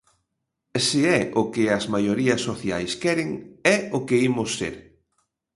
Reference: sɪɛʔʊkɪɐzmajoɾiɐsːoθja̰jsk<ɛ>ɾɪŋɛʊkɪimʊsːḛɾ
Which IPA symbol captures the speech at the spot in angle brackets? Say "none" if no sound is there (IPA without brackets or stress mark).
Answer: ɛ